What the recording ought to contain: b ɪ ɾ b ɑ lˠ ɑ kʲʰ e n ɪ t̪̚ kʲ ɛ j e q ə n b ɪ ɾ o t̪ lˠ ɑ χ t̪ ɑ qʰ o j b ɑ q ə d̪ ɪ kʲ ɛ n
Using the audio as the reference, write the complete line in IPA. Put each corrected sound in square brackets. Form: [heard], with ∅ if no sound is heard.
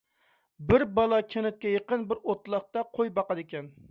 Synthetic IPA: b ɪ ɾ b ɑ lˠ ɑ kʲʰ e n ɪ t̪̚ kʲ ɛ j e q ə n b ɪ ɾ o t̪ lˠ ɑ χ t̪ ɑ qʰ o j b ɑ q [ɑ] d̪ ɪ kʲ ɛ n